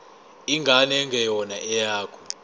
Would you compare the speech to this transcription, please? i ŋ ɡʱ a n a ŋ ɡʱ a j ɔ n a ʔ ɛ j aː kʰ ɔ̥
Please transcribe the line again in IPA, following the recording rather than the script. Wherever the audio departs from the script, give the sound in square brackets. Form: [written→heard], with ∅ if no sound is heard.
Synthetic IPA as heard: i ŋ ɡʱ a n [a→ɛ] ŋ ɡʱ [a→ɛ] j ɔ n a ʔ ɛ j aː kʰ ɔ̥

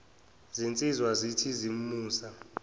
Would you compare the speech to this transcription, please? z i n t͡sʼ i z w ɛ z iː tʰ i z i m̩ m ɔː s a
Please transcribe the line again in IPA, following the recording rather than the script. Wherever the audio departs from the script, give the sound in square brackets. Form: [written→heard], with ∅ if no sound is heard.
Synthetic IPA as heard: z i n t͡sʼ i z w [ɛ→a] z [iː→i] tʰ i z i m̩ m [ɔː→uː] s a

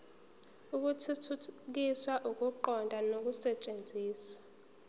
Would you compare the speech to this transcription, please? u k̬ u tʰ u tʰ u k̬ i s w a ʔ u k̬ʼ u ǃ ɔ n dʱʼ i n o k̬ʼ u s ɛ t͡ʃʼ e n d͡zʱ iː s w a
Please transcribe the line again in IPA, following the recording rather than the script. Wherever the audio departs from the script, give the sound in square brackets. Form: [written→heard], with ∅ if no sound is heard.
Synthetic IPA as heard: u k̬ u tʰ u tʰ u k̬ i s w a ʔ u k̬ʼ u ǃ ɔ n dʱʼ [i→a] n o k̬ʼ u s ɛ t͡ʃʼ e n d͡zʱ iː s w a

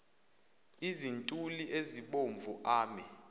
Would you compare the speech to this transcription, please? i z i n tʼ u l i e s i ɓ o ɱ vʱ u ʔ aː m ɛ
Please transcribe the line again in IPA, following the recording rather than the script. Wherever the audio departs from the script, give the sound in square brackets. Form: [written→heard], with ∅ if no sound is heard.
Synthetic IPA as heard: i z i n tʼ u l i e [s→z] i ɓ o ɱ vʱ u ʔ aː m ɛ

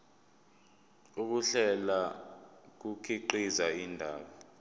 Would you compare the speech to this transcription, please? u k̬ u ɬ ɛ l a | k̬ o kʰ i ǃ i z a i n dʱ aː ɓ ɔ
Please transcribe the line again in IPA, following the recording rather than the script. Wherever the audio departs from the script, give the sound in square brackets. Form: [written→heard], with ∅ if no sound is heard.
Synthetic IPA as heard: u k̬ u ɬ ɛ l a | k̬ [o→u] kʰ i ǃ i z a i n dʱ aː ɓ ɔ

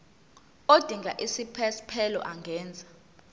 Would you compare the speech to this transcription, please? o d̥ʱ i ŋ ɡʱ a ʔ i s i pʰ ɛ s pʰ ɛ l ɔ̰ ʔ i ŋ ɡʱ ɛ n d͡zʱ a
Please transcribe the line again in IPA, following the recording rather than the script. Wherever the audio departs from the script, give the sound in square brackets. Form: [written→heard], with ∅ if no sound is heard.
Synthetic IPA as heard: o d̥ʱ i ŋ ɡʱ a ʔ i s i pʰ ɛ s pʰ ɛ l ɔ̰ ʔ [i→a] ŋ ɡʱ [ɛ→ɛː] n d͡zʱ a

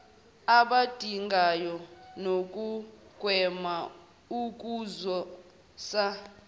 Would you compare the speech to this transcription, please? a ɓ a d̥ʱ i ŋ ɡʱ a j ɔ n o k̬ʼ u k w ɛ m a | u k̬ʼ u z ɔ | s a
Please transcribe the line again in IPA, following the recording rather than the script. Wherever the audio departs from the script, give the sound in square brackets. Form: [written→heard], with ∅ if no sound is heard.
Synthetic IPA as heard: a ɓ a d̥ʱ i ŋ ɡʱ a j ɔ n o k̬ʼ u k w ɛ m a | u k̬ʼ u z ɔ | s a

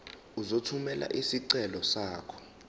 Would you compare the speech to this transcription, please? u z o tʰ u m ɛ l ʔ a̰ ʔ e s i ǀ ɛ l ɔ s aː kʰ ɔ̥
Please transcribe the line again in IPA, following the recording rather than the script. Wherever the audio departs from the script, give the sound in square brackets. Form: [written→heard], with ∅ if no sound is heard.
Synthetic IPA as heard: u z o tʰ u m ɛ l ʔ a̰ ʔ [e→i] s i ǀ ɛ l ɔ s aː kʰ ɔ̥

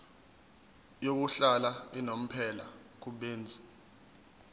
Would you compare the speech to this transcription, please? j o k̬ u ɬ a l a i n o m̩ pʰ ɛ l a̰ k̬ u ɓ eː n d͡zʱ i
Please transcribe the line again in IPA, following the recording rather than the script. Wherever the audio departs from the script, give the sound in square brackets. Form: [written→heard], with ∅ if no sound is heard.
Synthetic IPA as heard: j o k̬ u ɬ a l a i n o m̩ pʰ ɛ l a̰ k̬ u ɓ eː n d͡zʱ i

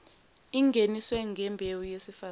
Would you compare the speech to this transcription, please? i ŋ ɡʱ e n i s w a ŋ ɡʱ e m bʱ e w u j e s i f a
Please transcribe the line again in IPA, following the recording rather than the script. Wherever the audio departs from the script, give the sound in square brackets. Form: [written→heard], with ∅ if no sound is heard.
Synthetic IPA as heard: i ŋ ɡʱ e n i s w [a→ɛ] ŋ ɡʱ [e→ɛ] m bʱ e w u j e s i f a

